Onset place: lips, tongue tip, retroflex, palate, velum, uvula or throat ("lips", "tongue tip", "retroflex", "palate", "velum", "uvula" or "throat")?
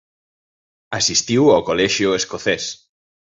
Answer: tongue tip